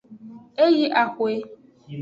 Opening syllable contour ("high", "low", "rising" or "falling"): high